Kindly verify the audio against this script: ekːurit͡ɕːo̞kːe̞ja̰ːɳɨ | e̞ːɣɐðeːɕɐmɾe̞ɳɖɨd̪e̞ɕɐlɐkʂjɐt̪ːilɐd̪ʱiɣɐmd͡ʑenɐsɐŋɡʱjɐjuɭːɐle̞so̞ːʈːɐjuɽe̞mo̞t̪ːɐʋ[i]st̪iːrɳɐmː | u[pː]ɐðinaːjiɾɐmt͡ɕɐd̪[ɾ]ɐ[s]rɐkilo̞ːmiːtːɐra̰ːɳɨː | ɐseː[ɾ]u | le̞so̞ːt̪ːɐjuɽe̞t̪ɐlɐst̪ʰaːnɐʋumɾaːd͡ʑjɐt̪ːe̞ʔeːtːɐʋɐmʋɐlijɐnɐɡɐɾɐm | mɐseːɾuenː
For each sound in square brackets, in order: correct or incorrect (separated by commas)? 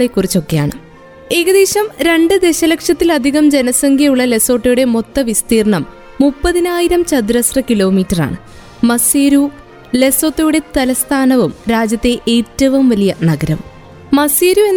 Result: correct, correct, correct, correct, correct